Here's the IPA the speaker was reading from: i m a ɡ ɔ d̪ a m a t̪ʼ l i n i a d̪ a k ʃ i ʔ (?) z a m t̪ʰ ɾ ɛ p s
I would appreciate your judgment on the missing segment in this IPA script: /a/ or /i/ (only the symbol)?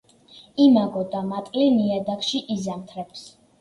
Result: i